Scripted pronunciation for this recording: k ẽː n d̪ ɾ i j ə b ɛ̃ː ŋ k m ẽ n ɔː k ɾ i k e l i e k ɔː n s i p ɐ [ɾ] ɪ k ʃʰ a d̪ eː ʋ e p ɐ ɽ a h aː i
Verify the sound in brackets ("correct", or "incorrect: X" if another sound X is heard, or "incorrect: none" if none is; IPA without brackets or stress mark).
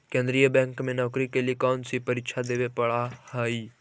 correct